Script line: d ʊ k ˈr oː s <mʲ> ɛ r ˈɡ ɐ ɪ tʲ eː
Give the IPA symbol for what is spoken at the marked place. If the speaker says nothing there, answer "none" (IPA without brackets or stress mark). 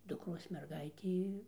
mʲ